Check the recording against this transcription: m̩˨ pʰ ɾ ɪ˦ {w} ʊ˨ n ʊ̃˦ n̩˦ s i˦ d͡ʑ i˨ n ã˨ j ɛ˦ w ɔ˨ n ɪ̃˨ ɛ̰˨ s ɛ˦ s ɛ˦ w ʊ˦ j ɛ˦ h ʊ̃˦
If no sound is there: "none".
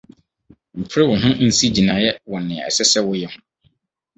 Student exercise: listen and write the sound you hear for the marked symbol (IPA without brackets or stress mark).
w